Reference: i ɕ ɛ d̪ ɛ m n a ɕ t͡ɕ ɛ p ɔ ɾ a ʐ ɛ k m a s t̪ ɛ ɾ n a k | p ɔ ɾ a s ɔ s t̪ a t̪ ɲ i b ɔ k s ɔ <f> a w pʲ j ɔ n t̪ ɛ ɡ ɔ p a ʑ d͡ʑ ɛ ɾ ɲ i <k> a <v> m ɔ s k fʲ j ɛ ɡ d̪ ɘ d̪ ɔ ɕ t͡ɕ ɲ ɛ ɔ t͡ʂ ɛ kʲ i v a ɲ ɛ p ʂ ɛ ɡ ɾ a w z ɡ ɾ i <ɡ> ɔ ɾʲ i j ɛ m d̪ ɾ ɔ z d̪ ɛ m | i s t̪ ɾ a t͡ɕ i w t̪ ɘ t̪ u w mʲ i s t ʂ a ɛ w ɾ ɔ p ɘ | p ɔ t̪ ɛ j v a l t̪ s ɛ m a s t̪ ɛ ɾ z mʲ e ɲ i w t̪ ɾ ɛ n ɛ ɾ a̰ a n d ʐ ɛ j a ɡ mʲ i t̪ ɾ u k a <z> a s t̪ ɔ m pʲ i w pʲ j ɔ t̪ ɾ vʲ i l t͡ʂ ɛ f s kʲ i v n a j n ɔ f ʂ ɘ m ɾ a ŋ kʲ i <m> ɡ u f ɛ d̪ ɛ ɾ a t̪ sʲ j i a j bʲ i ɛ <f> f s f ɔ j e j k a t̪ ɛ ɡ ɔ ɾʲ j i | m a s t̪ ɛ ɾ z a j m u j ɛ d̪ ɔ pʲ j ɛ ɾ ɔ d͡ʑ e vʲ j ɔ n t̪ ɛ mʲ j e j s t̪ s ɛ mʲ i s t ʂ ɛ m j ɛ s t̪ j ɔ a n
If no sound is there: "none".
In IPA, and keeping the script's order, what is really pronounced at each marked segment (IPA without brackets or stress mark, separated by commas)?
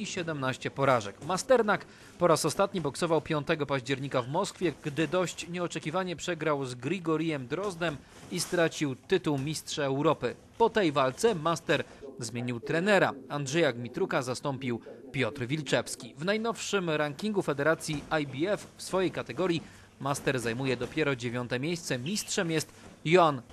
v, k, v, ɡ, z, ŋ, f